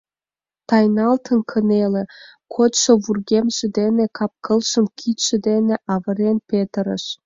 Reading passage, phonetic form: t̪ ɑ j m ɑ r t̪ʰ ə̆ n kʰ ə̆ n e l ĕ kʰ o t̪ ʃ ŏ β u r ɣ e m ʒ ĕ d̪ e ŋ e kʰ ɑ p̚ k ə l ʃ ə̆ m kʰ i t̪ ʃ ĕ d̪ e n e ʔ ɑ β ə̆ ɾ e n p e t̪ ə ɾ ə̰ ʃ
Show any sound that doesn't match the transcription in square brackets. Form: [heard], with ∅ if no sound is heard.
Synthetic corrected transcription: t̪ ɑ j [n] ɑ [l] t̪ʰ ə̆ n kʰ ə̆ n e l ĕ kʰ o t̪ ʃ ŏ β u r ɣ e m ʒ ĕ d̪ e [n] e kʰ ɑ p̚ k ə l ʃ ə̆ m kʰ i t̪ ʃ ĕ d̪ e n e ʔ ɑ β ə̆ ɾ e n p e t̪ ə ɾ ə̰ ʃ